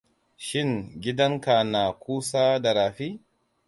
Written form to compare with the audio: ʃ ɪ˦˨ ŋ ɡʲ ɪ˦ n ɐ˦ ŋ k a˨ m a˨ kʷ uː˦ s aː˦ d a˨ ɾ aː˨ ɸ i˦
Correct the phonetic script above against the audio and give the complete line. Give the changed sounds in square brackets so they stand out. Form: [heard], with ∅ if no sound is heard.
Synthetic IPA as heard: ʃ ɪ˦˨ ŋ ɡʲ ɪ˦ [d] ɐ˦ ŋ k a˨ [n] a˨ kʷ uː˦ s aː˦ d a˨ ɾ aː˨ ɸ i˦